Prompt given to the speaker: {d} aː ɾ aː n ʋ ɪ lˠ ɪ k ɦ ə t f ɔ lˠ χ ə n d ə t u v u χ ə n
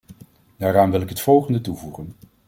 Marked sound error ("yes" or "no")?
no